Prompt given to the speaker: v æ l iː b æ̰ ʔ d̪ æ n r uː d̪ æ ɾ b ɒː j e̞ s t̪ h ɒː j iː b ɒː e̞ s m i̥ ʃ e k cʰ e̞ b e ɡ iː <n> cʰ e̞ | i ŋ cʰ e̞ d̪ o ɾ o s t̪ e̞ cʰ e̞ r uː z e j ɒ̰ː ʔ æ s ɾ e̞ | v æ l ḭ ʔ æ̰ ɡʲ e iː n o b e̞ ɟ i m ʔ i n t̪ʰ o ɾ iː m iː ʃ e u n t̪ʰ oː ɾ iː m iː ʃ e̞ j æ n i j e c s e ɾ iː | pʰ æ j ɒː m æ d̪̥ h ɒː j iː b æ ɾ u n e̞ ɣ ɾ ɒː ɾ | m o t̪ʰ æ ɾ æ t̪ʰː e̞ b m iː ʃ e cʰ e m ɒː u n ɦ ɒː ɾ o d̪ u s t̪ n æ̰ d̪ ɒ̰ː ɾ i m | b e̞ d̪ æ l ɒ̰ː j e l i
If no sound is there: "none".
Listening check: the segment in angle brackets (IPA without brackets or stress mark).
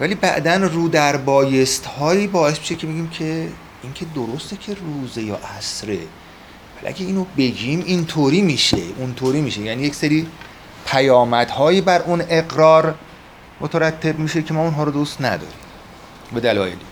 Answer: m